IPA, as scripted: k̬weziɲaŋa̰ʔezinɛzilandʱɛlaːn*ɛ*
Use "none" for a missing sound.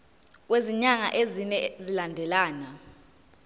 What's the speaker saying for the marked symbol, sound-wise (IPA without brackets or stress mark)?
a